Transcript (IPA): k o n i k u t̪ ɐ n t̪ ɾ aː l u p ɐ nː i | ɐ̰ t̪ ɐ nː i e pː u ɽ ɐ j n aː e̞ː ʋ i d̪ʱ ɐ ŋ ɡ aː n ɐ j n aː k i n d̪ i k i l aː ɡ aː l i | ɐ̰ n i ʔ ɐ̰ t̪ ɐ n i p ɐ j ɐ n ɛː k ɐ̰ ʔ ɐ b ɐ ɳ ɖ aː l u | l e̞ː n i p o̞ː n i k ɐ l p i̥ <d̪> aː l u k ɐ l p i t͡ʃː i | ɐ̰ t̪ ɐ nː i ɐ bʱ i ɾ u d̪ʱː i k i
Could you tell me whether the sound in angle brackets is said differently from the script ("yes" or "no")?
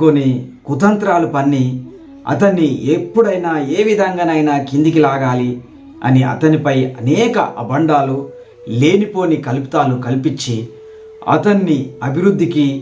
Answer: yes